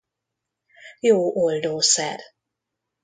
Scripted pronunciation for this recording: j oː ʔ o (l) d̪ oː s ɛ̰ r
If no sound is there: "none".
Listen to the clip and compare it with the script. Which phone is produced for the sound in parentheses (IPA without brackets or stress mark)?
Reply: l